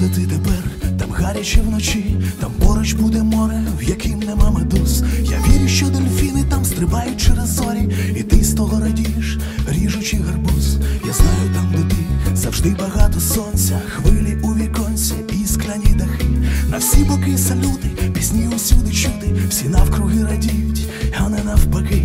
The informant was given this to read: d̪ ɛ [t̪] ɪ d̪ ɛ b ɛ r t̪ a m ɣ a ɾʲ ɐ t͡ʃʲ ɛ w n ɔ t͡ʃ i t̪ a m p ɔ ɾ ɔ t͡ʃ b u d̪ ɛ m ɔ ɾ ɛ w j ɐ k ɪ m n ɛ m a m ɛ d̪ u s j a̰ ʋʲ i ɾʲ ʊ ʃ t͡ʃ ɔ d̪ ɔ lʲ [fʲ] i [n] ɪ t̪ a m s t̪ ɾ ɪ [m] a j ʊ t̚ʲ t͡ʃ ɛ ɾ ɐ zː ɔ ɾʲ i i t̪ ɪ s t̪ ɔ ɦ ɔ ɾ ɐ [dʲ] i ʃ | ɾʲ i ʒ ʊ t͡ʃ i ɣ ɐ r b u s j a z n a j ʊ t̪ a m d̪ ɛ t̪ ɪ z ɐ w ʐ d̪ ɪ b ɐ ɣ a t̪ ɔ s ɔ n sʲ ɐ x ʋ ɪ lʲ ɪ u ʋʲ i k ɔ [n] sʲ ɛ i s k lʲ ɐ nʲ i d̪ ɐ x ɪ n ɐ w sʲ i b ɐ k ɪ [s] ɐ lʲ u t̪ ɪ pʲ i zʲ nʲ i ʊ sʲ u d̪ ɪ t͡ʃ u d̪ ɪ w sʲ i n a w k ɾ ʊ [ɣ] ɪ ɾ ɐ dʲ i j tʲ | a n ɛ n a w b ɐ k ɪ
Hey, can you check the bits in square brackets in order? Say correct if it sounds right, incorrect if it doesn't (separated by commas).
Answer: correct, correct, correct, incorrect, correct, correct, correct, correct